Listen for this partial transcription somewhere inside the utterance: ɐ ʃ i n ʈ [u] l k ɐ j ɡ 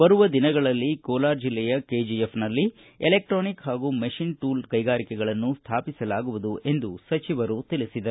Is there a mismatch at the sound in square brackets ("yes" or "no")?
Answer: yes